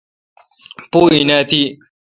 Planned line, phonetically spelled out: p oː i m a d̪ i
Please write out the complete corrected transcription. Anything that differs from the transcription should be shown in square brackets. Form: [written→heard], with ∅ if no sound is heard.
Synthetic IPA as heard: p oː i [m→n] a [d̪→t̪] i